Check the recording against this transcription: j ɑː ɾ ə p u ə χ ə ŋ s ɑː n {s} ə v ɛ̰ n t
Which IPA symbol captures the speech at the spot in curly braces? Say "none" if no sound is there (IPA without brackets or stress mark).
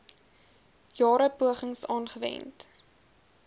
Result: χ